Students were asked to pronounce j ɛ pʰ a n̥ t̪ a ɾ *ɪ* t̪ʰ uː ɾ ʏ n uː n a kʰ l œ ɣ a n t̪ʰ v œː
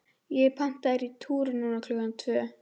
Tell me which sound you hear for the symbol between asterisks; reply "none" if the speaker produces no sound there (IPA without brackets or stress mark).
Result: i